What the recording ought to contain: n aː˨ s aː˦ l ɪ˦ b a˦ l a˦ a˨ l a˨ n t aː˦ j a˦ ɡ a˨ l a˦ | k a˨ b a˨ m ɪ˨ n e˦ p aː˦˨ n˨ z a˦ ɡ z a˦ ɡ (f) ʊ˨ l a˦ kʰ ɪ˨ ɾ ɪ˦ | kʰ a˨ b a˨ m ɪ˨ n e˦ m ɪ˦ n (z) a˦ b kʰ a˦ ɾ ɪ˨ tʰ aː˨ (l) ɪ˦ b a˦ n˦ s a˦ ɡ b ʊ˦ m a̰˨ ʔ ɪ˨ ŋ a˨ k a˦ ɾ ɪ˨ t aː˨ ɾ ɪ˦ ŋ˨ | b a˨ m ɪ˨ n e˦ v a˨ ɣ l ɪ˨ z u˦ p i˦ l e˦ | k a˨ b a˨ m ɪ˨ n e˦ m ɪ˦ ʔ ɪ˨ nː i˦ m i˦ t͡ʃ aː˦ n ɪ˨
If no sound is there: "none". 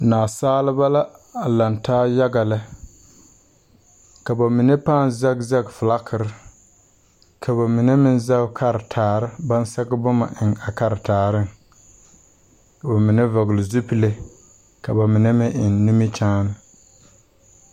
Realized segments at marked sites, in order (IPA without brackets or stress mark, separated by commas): f, z, ɾ